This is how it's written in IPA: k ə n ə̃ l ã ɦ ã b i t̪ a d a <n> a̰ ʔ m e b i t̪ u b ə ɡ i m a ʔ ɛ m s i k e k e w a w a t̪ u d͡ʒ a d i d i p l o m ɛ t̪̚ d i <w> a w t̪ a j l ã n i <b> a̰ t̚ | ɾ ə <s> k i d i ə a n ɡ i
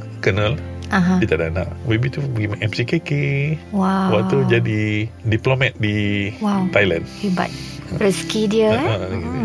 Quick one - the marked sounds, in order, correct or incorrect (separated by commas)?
correct, correct, correct, correct